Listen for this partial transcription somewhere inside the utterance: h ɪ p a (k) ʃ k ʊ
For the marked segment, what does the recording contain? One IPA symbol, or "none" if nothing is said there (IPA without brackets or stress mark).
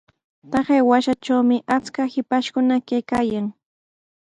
none